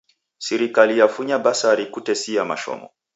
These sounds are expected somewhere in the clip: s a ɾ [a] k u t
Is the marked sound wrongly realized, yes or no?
yes